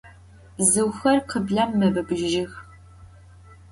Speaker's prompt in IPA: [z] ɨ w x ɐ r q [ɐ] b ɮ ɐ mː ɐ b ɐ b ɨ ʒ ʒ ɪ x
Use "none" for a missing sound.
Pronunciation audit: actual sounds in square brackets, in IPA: z, ə

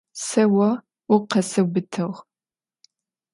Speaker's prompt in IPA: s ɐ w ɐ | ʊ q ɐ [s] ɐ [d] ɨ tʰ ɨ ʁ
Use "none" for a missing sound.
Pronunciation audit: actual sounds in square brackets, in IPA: s, b

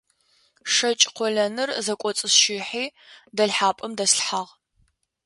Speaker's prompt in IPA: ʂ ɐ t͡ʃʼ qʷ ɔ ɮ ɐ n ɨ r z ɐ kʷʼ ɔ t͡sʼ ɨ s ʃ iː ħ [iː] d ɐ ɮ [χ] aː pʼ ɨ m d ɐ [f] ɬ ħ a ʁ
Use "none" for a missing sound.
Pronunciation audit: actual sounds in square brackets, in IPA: iː, ħ, s

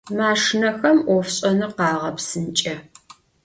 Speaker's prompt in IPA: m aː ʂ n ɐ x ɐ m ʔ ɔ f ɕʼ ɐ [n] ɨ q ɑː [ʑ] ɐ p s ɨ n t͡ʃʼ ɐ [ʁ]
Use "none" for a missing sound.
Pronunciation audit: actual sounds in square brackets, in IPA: n, ʁ, none

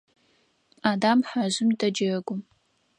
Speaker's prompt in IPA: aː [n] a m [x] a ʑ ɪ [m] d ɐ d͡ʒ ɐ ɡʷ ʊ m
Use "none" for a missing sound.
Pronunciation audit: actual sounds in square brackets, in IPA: d, ħ, m

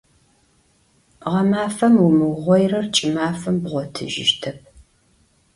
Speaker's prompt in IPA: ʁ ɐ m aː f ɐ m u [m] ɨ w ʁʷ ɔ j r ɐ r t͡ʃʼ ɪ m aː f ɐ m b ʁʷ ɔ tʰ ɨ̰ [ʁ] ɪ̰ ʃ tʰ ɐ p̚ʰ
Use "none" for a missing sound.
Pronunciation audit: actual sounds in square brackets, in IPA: m, ʒ

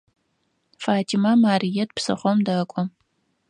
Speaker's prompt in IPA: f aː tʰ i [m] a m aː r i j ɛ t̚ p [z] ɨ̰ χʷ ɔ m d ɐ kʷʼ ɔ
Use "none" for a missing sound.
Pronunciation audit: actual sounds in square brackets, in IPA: m, s

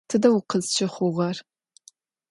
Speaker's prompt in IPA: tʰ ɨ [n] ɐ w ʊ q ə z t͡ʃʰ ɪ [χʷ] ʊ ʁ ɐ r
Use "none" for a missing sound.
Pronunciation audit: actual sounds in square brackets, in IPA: d, χʷ

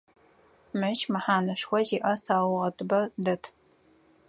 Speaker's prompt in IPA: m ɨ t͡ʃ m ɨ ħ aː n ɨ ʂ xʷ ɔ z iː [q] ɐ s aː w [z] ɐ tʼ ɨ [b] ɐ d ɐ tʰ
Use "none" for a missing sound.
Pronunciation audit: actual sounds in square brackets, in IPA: ʔ, ʁ, b

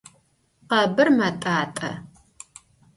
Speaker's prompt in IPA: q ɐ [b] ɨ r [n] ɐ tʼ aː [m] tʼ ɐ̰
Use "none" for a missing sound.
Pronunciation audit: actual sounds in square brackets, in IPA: b, m, none

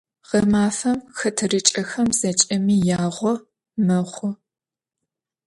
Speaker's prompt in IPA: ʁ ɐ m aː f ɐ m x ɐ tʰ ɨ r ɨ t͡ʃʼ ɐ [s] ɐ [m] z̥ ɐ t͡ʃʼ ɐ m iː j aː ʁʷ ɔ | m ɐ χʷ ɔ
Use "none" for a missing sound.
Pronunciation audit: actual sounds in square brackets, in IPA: x, m

